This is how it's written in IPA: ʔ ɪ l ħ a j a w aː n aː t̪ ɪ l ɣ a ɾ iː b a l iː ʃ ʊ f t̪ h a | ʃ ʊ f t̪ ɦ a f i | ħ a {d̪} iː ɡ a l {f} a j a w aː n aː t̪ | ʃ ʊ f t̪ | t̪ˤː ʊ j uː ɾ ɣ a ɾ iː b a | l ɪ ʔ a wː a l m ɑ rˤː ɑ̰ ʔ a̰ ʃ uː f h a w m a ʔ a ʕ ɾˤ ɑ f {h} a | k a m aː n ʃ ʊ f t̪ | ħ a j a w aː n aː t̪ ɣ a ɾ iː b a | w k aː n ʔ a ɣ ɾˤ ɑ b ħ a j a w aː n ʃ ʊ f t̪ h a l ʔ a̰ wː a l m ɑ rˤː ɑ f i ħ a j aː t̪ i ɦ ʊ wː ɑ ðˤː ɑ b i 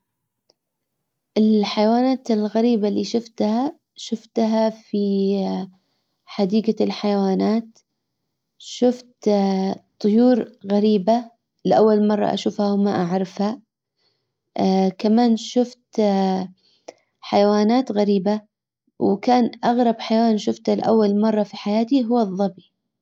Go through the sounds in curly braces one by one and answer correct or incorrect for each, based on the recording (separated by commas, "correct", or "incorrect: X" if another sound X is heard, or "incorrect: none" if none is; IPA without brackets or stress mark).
correct, incorrect: ħ, correct